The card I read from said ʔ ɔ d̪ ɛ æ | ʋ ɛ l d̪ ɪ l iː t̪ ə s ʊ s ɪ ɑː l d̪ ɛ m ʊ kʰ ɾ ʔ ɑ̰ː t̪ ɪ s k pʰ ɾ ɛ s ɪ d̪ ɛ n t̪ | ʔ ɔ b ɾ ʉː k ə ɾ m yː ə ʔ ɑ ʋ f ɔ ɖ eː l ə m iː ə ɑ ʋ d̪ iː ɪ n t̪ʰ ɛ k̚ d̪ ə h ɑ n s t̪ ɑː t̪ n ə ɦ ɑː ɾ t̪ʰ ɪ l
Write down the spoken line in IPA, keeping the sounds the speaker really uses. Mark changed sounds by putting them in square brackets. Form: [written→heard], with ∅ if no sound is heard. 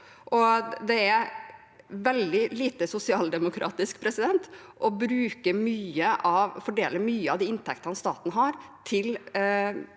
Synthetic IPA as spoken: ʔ ɔ d̪ ɛ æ | ʋ ɛ l d̪ ɪ l iː t̪ ə s ʊ s ɪ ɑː l d̪ ɛ m ʊ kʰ ɾ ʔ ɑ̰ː t̪ ɪ s k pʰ ɾ ɛ s ɪ d̪ ɛ n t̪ | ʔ ɔ b ɾ ʉː k ə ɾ m yː ə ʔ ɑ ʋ f ɔ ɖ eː l ə m [iː→yː] ə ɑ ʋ d̪ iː ɪ n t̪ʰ ɛ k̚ [d̪→t̪] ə h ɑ n s t̪ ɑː t̪ n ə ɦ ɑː ɾ t̪ʰ ɪ l